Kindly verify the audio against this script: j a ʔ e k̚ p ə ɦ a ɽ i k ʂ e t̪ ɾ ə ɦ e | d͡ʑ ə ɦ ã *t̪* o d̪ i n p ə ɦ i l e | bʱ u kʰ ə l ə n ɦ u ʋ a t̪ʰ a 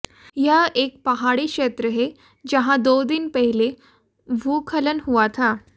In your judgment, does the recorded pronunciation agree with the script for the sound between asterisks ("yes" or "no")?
no